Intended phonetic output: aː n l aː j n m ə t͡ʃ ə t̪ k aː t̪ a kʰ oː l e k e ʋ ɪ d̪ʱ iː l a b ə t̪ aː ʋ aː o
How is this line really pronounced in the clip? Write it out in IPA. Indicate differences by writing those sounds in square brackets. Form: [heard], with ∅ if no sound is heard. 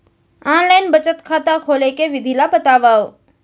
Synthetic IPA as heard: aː n l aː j n [b] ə t͡ʃ ə t̪ [kʰ] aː t̪ a kʰ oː l e k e ʋ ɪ d̪ʱ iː l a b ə t̪ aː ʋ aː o